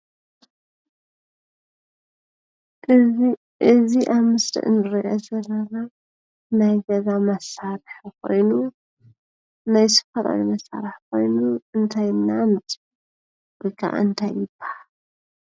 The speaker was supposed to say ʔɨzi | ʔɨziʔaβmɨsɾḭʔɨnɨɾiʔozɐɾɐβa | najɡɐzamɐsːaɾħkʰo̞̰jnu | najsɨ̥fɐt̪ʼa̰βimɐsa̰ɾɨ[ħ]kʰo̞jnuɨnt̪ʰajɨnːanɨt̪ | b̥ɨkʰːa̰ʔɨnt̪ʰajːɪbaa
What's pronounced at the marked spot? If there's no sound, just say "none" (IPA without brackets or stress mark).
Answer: ħ